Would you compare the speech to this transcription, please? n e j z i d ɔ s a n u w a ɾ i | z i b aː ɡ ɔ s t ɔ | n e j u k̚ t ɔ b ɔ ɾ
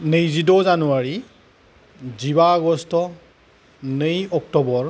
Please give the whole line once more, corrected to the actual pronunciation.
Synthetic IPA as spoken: n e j z i d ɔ z a n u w a ɹ i | z i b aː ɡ ɔ s t ɔ | n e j ɔ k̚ t ɔ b ɔ ɹ